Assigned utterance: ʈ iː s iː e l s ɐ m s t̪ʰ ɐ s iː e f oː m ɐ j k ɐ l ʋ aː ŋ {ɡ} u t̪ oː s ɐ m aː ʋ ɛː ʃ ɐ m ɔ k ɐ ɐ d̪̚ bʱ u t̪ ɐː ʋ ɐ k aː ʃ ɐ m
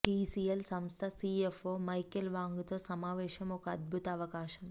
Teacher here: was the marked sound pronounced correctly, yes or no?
yes